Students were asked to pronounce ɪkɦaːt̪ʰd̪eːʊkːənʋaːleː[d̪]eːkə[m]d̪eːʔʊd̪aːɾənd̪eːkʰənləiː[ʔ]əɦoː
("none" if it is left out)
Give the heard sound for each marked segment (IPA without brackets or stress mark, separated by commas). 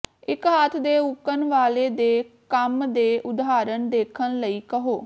d̪, m, k